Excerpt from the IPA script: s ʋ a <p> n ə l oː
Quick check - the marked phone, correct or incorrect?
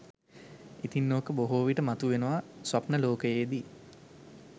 correct